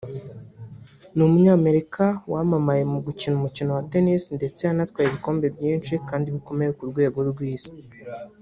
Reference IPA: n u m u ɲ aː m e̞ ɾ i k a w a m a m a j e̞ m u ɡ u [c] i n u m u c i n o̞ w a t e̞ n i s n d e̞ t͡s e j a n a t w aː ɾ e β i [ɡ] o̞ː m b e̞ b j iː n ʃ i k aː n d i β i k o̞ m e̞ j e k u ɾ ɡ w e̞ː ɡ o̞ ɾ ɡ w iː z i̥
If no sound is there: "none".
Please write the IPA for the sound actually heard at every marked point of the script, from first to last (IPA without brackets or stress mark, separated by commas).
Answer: c, k